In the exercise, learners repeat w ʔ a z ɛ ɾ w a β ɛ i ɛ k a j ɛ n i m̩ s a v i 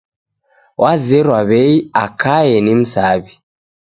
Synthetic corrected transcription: w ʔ a z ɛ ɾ w a β ɛ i a k a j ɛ n i m̩ s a β i